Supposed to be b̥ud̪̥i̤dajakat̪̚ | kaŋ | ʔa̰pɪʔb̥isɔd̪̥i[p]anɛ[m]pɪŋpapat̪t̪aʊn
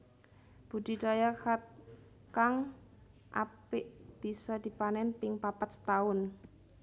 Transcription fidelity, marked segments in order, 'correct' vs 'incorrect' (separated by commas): correct, incorrect